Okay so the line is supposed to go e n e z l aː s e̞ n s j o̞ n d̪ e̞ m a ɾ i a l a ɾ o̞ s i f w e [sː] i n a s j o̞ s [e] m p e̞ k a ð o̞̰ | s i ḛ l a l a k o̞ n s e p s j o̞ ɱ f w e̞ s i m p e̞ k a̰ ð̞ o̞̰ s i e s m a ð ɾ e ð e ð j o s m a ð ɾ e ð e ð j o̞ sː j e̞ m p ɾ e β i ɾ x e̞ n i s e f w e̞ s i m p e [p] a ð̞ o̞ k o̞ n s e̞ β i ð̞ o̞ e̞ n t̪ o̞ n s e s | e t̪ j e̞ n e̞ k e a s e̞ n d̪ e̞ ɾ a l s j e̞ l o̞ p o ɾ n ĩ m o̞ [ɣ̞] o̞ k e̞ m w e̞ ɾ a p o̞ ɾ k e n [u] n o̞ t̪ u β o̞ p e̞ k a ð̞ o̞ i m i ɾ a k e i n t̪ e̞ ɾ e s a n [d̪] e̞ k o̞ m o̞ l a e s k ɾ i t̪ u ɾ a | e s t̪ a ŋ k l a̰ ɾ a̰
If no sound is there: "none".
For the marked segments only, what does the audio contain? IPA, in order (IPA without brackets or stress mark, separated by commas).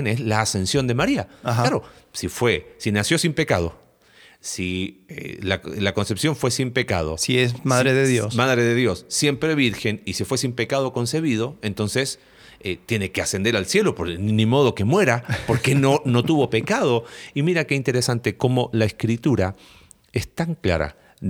s, i, k, ð̞, o, t̪